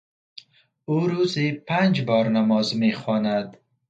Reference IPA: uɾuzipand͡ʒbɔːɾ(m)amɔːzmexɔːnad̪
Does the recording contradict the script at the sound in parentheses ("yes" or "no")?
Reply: yes